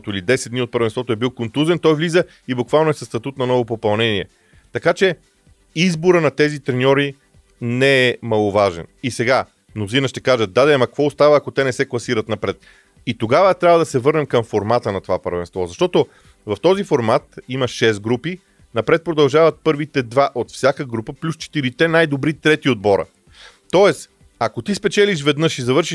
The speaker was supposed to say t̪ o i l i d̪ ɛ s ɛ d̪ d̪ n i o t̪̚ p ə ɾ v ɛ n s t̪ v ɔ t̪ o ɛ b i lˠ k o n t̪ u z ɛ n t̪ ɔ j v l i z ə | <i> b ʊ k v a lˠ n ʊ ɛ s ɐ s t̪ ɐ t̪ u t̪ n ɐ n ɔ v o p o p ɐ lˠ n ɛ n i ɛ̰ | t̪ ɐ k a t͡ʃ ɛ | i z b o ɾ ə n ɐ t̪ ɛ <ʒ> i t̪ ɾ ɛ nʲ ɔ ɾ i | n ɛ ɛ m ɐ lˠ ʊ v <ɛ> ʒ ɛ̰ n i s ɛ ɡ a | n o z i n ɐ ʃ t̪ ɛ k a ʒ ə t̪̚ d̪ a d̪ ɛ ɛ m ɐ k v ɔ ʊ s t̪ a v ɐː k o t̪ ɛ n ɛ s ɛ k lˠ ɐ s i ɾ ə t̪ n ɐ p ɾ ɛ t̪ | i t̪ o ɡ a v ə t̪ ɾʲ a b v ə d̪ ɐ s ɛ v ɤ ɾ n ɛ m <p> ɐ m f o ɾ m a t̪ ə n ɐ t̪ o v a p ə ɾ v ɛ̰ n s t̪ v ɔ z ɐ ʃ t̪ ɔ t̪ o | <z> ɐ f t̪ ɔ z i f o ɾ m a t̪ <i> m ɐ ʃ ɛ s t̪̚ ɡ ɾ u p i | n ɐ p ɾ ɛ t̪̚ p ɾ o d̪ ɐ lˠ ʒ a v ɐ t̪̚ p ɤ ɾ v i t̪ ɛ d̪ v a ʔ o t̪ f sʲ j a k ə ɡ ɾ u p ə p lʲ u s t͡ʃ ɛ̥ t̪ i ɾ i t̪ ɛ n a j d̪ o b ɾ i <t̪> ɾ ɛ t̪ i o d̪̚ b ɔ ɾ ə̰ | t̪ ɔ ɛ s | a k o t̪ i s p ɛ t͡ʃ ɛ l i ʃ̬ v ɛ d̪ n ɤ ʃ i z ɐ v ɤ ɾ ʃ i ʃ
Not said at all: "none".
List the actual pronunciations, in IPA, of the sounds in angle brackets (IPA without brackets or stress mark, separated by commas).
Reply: i, z, a, k, v, i, t̪